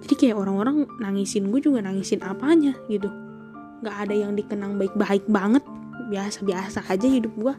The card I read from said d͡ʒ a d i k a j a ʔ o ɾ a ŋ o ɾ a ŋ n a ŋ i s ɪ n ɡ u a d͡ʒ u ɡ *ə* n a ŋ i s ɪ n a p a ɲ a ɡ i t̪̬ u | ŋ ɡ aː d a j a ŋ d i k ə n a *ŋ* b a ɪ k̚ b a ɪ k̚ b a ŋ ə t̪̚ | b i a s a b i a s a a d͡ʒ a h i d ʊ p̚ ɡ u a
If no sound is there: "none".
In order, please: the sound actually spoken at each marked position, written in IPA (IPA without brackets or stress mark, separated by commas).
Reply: a, ŋ